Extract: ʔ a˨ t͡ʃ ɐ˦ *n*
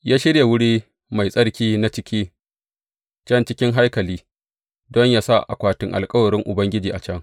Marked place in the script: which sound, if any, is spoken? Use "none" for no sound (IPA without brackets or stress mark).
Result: ŋ